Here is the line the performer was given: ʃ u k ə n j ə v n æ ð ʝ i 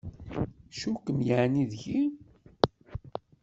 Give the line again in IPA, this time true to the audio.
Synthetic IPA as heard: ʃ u k ə m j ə ʕ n i ð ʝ i